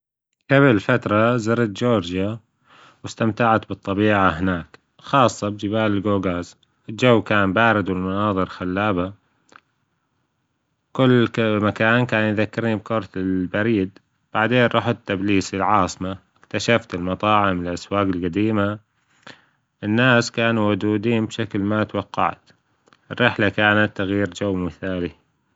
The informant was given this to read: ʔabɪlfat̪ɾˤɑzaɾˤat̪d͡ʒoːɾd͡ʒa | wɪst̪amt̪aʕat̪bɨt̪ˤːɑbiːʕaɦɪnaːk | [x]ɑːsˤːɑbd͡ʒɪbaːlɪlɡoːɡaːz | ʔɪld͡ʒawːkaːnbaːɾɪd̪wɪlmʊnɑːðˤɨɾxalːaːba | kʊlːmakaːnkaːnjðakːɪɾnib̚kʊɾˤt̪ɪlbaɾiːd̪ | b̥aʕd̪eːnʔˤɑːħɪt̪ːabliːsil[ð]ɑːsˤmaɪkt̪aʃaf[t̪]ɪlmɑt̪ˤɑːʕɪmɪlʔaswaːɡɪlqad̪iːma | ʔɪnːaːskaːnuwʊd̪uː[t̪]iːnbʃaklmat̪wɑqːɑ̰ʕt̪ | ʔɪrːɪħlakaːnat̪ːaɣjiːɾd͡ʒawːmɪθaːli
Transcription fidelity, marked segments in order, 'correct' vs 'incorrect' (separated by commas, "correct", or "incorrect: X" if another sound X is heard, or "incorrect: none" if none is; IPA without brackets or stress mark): correct, incorrect: ʕ, correct, incorrect: d̪